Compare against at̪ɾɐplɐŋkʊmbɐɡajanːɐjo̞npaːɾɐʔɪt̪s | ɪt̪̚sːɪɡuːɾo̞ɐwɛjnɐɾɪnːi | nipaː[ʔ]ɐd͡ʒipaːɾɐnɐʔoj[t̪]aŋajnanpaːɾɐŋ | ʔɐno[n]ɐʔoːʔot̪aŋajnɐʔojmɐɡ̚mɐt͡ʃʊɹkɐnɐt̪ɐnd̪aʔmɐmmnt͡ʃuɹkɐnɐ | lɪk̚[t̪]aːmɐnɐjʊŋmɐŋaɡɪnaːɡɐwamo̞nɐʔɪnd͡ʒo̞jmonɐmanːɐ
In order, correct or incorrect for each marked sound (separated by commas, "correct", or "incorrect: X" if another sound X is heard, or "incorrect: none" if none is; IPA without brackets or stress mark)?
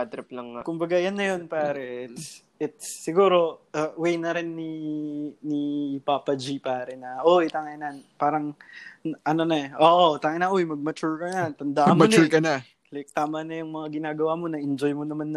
incorrect: p, correct, correct, correct